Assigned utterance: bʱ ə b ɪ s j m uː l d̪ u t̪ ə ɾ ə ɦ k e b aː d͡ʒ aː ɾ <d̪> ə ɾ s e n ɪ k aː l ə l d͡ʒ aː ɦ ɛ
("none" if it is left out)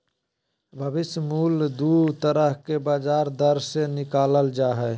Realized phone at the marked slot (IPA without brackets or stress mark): d̪